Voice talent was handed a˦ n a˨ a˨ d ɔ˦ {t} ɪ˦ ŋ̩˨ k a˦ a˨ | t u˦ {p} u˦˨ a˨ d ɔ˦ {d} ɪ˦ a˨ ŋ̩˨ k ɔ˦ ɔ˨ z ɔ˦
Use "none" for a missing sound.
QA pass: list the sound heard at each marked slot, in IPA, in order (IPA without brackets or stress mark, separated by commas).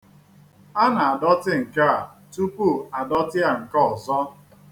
t, p, t